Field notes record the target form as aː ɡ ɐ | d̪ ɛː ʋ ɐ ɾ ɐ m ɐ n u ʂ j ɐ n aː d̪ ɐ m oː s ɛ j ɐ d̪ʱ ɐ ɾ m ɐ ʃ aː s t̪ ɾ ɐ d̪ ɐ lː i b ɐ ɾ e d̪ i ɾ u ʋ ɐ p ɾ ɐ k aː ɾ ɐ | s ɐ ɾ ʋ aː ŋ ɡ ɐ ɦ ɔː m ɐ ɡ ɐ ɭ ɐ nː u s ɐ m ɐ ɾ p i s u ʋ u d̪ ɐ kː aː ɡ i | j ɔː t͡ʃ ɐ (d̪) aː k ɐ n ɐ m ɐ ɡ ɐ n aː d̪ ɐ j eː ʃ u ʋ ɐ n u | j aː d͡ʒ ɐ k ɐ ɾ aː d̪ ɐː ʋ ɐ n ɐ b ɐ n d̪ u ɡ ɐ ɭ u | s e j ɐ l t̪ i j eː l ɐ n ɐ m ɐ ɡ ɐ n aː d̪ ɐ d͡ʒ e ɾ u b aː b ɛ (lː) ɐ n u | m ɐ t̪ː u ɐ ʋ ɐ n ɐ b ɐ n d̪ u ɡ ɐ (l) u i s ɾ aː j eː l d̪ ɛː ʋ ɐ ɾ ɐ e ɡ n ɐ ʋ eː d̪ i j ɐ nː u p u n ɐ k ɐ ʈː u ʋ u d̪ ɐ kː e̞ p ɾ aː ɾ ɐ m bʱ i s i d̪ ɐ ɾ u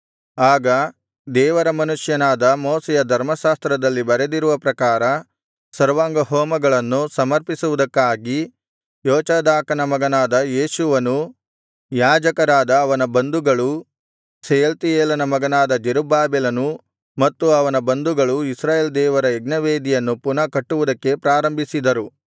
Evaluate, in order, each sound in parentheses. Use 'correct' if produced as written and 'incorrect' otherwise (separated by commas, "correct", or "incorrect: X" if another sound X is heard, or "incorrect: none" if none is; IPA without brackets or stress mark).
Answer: correct, incorrect: l, incorrect: ɭ